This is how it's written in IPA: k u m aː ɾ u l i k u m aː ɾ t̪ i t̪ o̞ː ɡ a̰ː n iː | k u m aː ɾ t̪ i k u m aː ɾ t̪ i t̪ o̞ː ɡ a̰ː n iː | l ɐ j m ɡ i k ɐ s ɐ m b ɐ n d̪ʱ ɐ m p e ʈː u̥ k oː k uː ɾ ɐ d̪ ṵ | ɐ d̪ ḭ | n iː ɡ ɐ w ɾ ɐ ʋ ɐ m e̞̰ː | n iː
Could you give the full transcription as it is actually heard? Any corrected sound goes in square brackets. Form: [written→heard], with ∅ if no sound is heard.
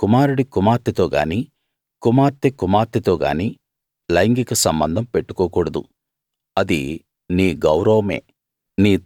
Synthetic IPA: k u m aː ɾ u [l→ɽ] i k u m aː ɾ t̪ i t̪ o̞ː ɡ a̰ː n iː | k u m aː ɾ t̪ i k u m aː ɾ t̪ i t̪ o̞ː ɡ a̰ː n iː | l ɐ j [m→ŋ] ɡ i k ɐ s ɐ m b ɐ n d̪ʱ ɐ m p e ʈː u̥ k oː k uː [ɾ→ɽ] ɐ d̪ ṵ | ɐ d̪ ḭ | n iː ɡ ɐ w ɾ ɐ ʋ ɐ m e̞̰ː | n iː